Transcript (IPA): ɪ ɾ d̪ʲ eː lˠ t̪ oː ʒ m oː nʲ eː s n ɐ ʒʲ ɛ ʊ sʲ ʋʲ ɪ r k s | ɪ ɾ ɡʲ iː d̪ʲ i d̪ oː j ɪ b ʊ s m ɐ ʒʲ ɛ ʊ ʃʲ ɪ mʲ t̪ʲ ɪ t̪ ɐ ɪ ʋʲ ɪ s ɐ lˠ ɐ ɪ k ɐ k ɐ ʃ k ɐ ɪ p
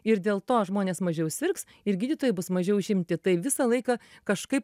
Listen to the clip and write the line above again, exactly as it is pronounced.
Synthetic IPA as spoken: ɪ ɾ d̪ʲ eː lˠ t̪ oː ʒ m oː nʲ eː s m ɐ ʒʲ ɛ ʊ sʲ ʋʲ ɪ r k s | ɪ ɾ ɡʲ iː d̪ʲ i t̪ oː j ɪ b ʊ s m ɐ ʒʲ ɛ ʊ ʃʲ ɪ mʲ t̪ʲ ɪ t̪ ɐ ɪ ʋʲ ɪ s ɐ lˠ ɐ ɪ k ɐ k ɐ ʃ k ɐ ɪ p

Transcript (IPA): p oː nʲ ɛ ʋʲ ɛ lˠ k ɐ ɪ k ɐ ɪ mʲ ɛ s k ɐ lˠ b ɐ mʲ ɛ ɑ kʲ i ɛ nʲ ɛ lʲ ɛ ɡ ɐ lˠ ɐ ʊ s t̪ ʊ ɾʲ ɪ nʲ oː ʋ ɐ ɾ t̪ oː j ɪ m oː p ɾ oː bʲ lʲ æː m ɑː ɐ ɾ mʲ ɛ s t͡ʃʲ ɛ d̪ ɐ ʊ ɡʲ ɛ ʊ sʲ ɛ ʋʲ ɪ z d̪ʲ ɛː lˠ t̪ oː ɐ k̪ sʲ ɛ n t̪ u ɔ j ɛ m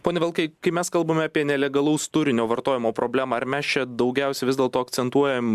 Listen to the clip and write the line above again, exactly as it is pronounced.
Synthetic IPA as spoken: p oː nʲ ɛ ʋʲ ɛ lˠ k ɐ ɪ k ɐ ɪ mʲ ɛ s k ɐ lˠ b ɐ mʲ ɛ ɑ pʲ i ɛ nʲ ɛ lʲ ɛ ɡ ɐ lˠ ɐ ʊ s t̪ ʊ ɾʲ ɪ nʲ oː ʋ ɐ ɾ t̪ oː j ɪ m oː p ɾ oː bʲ lʲ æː m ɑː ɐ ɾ mʲ ɛ s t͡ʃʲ ɛ d̪ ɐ ʊ ɡʲ ɛ ʊ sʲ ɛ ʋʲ ɪ z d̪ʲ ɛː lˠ t̪ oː ɐ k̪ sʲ ɛ n t̪ u ɔ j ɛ m

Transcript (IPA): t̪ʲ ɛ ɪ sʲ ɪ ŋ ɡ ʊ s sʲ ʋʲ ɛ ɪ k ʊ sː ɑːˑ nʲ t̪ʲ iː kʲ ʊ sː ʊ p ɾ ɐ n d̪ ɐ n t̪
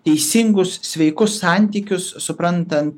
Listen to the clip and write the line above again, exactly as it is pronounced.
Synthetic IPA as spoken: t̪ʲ ɛ ɪ sʲ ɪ ŋ ɡ ʊ s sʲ ʋʲ ɛ ɪ k ʊ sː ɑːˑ nʲ t̪ʲ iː kʲ ʊ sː ʊ p ɾ ɐ n t̪ ɐ n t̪

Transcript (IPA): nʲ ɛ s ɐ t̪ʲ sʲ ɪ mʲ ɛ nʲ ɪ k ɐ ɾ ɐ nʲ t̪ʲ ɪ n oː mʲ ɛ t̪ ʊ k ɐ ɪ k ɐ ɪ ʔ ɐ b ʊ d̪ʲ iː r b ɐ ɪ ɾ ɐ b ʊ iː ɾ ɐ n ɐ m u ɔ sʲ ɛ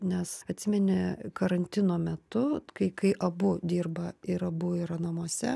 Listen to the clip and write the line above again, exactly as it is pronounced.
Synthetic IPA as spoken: nʲ ɛ s ɐ t̪ʲ sʲ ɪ mʲ ɛ nʲ ɪ k ɐ ɾ ɐ nʲ t̪ʲ ɪ n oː mʲ ɛ t̪ ʊ k ɐ ɪ k ɐ ɪ ʔ ɐ b ʊ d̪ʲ iː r b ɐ ɪ ɾ ɐ b ʊ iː ɾ ɐ n ɐ m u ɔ sʲ ɛ

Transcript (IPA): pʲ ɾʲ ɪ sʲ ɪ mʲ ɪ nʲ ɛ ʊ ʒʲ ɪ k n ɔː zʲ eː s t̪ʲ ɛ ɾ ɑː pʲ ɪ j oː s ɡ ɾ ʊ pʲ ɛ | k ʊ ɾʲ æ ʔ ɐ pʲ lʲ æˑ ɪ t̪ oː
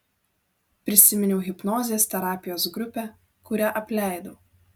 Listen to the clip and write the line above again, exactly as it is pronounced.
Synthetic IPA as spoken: pʲ ɾʲ ɪ sʲ ɪ mʲ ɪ nʲ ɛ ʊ ɣʲ ɪ p n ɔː zʲ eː s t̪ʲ ɛ ɾ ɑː pʲ ɪ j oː s ɡ ɾ ʊ pʲ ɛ | k ʊ ɾʲ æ ʔ ɐ pʲ lʲ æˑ ɪ d̪ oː

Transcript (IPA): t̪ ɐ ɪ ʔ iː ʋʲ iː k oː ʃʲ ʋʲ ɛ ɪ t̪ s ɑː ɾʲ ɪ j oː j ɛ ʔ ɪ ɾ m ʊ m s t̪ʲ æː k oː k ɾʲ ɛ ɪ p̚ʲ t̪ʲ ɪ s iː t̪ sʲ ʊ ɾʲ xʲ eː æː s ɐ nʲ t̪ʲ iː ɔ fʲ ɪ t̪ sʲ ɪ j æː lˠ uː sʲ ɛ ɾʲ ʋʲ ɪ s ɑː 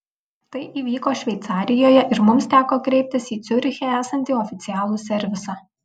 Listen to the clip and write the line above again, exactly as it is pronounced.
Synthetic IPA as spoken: t̪ ɐ ɪ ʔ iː ʋʲ iː k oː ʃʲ ʋʲ ɛ ɪ t̪ s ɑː ɾʲ ɪ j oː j ɛ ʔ ɪ ɾ m ʊ m s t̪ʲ æː k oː k ɾʲ ɛ ɪ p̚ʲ t̪ʲ ɪ s iː t̪ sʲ ʊ ɾʲ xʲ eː æː s ɐ nʲ t̪ʲ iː ɔ fʲ ɪ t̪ sʲ ɪ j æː lˠ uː sʲ ɛ ɾʲ ʋʲ ɪ s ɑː

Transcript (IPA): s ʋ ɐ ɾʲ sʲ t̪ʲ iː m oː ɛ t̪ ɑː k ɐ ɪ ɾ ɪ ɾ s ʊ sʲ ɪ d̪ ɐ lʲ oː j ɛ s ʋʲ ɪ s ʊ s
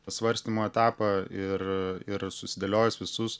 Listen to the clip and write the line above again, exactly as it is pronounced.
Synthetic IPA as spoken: s ʋ ɐ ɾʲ sʲ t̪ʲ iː m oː ɛ t̪ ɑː p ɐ ɪ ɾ ɪ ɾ s ʊ sʲ ɪ d̪ ɐ lʲ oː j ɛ s ʋʲ ɪ s ʊ s

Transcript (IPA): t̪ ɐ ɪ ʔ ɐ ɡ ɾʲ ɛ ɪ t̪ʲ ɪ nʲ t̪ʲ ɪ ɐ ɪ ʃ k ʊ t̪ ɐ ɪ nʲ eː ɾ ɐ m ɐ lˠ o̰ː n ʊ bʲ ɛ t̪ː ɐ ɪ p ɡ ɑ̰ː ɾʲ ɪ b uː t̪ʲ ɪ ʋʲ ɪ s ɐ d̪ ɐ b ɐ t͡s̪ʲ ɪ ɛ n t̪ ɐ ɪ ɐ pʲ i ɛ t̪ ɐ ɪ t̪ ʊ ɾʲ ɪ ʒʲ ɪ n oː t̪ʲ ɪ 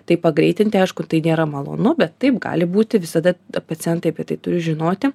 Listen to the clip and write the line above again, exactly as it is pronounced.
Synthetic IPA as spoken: t̪ ɐ ɪ p ɐ ɡ ɾʲ ɛ ɪ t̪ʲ ɪ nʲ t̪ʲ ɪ ɐ ɪ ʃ k ʊ t̪ ɐ ɪ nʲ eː ɾ ɐ m ɐ lˠ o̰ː n ʊ bʲ ɛ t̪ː ɐ ɪ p ɡ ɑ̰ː lʲ ɪ b uː t̪ʲ ɪ ʋʲ ɪ s ɐ d̪ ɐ p ɐ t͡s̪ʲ ɪ ɛ n t̪ ɐ ɪ ɐ pʲ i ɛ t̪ ɐ ɪ t̪ ʊ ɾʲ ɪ ʒʲ ɪ n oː t̪ʲ ɪ

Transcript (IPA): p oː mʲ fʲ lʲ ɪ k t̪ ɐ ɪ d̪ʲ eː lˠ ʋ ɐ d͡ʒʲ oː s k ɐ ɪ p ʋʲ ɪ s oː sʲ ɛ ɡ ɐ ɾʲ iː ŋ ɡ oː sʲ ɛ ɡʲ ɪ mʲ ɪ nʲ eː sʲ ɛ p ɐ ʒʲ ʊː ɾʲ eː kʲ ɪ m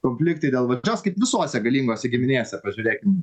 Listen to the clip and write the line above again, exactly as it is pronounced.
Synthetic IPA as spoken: k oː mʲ fʲ lʲ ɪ k t̪ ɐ ɪ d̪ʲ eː lˠ ʋ ɐ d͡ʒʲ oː s k ɐ ɪ p ʋʲ ɪ s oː sʲ ɛ ɡ ɐ lʲ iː ŋ ɡ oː sʲ ɛ ɡʲ ɪ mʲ ɪ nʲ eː sʲ ɛ p ɐ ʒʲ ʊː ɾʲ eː kʲ ɪ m

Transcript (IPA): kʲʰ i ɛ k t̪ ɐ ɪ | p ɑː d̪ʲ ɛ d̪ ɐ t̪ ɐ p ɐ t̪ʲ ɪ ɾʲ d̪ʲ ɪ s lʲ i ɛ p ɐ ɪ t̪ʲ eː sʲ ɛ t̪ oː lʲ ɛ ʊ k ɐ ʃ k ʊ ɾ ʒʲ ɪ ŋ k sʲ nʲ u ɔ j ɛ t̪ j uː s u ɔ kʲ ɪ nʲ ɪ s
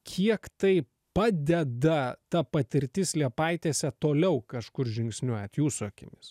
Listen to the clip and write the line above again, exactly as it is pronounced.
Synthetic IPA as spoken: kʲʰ i ɛ k t̪ ɐ ɪ | p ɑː d̪ʲ ɛ d̪ ɐ t̪ ɐ p ɐ t̪ʲ ɪ ɾʲ t̪ʲ ɪ s lʲ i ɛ p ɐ ɪ t̪ʲ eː sʲ ɛ t̪ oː lʲ ɛ ʊ k ɐ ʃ k ʊ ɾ ʒʲ ɪ ŋ k sʲ nʲ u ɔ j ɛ t̪ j uː s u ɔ kʲ ɪ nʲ ɪ s

